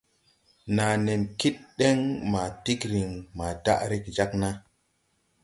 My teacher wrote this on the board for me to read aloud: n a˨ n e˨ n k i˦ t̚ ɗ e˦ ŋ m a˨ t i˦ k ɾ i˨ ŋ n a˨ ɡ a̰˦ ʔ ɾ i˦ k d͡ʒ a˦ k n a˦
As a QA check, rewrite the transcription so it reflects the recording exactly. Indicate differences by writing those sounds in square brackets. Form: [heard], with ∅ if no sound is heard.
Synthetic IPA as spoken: n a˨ n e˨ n k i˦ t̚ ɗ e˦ ŋ m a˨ t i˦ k ɾ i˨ ŋ [m] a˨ [d] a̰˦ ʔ ɾ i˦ k d͡ʒ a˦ k n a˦